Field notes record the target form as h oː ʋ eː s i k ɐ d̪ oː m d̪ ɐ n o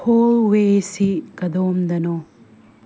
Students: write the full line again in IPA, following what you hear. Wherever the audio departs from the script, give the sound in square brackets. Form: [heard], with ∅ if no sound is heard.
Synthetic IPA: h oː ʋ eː s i k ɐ d̪ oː m d̪ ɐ n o